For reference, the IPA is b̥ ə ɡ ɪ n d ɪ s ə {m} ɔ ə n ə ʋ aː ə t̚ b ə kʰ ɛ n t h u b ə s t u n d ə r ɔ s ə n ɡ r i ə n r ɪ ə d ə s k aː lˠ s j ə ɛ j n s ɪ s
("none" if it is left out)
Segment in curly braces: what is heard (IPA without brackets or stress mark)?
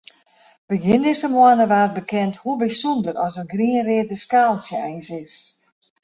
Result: m